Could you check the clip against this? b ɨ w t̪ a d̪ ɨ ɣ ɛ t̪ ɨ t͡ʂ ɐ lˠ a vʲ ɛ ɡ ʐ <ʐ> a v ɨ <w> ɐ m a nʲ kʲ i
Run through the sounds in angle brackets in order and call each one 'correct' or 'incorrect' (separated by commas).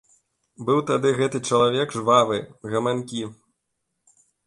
incorrect, incorrect